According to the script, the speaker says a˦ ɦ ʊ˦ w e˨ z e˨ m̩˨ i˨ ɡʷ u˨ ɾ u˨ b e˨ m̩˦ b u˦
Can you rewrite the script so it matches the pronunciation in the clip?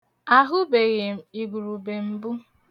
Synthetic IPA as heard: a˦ ɦ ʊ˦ b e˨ ɣ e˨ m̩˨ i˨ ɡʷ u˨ ɾ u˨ b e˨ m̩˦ b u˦